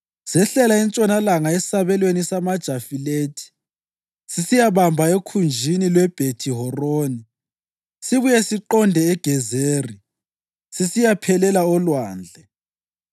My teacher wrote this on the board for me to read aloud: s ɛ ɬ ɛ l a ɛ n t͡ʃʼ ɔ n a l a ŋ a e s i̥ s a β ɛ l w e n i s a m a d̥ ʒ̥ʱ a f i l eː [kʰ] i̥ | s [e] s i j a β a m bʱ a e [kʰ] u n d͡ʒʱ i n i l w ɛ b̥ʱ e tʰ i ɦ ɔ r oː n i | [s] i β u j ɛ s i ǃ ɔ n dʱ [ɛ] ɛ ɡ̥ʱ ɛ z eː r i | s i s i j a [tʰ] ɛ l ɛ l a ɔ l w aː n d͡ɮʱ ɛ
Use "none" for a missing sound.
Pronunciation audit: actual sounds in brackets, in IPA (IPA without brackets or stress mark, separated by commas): tʰ, i, kʰ, s, ɛ, pʰ